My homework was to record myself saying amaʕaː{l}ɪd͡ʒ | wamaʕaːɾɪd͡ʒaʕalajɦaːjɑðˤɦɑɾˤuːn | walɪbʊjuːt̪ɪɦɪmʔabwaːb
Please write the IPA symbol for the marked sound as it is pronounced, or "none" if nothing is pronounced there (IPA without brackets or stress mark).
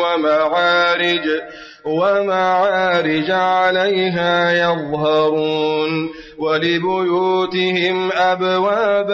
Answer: ɾ